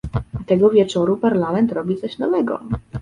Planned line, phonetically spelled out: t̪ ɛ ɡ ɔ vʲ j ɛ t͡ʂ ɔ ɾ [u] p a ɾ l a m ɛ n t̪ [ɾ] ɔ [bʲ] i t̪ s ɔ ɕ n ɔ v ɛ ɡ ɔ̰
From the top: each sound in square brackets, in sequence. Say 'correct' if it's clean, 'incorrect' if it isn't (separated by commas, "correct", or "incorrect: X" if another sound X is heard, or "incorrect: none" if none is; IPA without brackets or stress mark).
correct, correct, correct